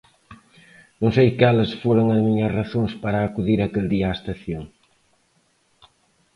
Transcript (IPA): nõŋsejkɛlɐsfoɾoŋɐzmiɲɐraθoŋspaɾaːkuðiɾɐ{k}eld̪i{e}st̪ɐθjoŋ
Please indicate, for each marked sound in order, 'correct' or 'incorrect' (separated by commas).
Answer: correct, incorrect